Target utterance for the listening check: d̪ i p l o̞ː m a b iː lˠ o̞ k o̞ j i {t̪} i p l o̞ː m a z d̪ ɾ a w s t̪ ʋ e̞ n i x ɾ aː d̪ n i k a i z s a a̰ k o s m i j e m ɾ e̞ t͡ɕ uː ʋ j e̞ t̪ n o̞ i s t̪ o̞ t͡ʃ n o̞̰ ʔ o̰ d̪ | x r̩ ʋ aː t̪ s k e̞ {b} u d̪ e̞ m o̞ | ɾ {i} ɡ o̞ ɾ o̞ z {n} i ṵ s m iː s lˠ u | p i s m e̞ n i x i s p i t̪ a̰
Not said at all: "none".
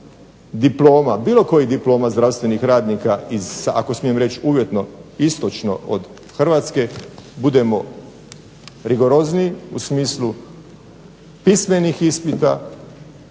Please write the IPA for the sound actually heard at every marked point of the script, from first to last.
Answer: d̪, b, i, n

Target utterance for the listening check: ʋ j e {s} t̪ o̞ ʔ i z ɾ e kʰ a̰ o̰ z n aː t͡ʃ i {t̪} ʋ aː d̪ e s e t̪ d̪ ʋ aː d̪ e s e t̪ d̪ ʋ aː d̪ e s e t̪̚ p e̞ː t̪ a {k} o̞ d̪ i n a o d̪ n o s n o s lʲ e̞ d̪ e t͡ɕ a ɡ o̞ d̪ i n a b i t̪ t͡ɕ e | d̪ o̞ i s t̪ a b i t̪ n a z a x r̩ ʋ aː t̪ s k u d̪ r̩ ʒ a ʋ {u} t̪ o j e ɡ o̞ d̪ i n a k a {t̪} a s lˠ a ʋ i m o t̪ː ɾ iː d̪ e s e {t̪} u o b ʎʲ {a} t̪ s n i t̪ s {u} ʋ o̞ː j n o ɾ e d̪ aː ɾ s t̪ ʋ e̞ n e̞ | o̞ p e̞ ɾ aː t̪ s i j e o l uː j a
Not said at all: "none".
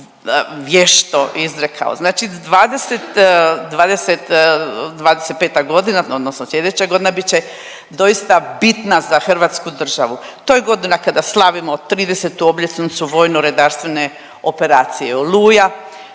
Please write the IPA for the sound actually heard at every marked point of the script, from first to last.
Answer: ʃ, d̪, ɡ, u, d̪, t̪, e, u

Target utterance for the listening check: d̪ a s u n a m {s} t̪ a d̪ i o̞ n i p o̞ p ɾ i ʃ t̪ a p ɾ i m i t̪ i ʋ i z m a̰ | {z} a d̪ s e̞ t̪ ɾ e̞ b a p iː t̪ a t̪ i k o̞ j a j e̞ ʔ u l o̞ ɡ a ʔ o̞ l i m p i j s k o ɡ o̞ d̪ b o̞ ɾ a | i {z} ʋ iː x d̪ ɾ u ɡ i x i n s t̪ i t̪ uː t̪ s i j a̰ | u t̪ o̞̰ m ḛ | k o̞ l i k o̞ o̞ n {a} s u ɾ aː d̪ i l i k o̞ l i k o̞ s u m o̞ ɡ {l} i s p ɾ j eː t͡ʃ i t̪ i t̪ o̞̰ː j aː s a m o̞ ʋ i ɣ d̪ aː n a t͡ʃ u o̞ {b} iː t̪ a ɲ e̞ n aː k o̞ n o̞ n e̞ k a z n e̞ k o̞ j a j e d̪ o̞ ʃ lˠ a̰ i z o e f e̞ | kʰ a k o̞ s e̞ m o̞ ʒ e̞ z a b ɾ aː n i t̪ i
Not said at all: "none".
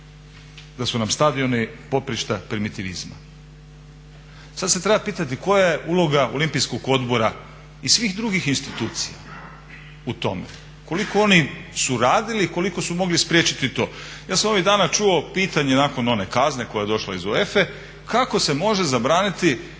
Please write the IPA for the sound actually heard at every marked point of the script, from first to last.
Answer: s, s, s, i, l, p

